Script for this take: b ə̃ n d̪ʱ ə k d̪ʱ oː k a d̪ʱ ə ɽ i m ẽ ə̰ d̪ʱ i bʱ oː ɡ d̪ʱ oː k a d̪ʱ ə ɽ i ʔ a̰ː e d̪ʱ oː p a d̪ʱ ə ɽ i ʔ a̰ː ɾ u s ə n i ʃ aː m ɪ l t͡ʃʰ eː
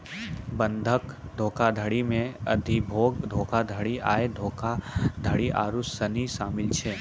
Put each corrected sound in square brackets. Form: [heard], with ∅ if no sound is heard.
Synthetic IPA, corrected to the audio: b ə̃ n d̪ʱ ə k d̪ʱ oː k a d̪ʱ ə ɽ i m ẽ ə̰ d̪ʱ i bʱ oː ɡ d̪ʱ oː k a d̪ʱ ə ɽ i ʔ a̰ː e d̪ʱ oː [k] a d̪ʱ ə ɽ i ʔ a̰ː ɾ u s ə n i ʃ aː m ɪ l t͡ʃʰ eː